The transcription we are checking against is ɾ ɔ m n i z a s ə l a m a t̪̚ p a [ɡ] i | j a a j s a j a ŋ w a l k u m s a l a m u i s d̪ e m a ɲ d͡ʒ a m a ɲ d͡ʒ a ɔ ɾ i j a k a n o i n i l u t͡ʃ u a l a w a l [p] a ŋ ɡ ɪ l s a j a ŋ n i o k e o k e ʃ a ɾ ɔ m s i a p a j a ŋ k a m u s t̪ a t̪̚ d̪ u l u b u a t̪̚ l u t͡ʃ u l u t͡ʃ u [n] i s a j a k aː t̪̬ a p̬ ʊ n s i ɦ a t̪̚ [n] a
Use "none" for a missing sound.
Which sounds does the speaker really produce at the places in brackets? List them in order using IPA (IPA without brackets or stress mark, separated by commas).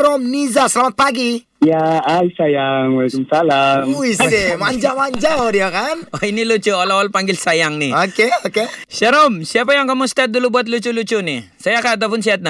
ɡ, p, n, n